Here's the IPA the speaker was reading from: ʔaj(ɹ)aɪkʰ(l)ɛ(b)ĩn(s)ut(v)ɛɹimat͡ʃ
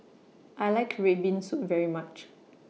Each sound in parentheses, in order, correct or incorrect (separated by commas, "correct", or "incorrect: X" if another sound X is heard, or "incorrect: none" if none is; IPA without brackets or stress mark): incorrect: l, incorrect: ɹ, correct, correct, correct